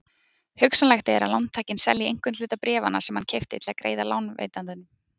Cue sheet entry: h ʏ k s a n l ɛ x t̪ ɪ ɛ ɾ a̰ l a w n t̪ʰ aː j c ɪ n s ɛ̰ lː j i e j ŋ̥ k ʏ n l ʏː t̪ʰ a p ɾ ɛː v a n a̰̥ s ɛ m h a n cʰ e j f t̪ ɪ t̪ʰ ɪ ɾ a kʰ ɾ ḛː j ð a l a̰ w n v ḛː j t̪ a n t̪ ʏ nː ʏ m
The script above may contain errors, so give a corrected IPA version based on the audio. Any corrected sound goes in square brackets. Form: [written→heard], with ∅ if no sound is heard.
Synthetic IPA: h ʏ k s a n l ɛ x t̪ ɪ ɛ ɾ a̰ l a w n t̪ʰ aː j c ɪ n s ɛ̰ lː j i e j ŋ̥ k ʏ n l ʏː [t̪ʰ→t̪] a p ɾ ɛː v a n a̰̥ s ɛ m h a n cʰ e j f t̪ ɪ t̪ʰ ɪ [ɾ→l] a [kʰ→k] ɾ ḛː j ð a l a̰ w n v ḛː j t̪ a n t̪ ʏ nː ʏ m

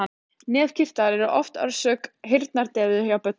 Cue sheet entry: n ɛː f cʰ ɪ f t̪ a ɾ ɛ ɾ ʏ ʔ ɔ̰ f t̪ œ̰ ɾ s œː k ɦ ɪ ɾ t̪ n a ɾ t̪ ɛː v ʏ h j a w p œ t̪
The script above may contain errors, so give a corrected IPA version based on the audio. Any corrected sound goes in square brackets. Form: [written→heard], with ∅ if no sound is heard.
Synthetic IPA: n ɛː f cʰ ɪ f t̪ a ɾ ɛ ɾ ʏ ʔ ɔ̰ f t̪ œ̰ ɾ s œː k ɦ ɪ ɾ t̪ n a ɾ t̪ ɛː [v→ð] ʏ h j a w p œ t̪

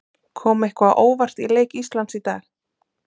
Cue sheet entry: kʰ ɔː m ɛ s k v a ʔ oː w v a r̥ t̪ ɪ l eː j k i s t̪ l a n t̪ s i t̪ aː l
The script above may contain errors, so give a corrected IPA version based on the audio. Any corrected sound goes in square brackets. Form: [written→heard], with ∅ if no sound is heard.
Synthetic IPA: kʰ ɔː m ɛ [s→h] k v a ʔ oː w v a r̥ t̪ [ɪ→i] l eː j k i s t̪ l a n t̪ s i t̪ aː l

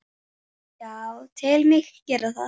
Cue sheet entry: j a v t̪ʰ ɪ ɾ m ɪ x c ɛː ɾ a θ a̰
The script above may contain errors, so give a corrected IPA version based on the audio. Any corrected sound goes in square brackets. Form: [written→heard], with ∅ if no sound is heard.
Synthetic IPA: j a [v→w] t̪ʰ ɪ [ɾ→l] m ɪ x c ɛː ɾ a θ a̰

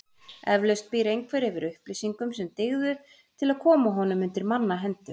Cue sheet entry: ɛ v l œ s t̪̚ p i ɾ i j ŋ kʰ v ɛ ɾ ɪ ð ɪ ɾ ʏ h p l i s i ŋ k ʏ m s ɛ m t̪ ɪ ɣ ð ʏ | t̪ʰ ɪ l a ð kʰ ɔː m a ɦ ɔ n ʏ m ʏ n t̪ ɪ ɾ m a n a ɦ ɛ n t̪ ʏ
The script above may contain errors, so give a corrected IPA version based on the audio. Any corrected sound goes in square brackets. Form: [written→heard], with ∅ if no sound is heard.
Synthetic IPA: ɛ v l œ s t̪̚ p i ɾ [i→e] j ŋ kʰ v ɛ ɾ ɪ [ð→v] ɪ ɾ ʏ h p l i s i ŋ k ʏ m s ɛ m t̪ ɪ ɣ ð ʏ | t̪ʰ ɪ l a ð kʰ ɔː m a ɦ ɔ n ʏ m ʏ n t̪ ɪ ɾ m a [n→nː] a ɦ ɛ n t̪ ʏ

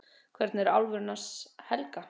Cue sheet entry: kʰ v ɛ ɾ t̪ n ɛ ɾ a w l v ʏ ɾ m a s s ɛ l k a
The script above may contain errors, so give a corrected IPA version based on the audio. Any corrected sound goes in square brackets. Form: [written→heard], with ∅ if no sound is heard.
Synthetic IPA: kʰ v ɛ ɾ t̪ n ɛ ɾ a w l v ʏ ɾ [m→n] a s [s→h] ɛ l k a

